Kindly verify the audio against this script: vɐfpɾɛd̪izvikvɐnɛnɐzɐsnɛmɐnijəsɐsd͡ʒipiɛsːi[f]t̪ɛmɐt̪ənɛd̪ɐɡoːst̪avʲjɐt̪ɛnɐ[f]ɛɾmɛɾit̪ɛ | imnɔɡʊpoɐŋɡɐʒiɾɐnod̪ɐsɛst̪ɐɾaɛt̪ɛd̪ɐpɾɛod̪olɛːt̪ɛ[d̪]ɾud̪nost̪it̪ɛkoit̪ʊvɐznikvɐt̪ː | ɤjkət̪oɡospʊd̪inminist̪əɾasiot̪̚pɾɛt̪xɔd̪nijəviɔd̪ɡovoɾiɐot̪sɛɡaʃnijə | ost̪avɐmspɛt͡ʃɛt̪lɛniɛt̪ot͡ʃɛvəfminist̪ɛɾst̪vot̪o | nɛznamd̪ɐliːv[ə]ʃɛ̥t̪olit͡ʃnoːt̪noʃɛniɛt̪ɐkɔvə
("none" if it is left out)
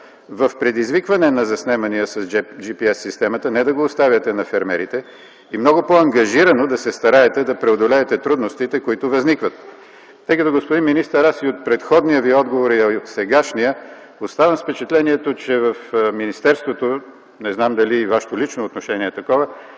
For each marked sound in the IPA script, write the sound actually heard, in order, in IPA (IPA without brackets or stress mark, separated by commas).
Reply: s, f, t̪, a